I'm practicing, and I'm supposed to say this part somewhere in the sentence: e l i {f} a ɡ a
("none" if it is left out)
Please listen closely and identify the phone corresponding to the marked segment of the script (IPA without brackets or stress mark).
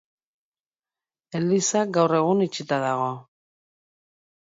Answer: s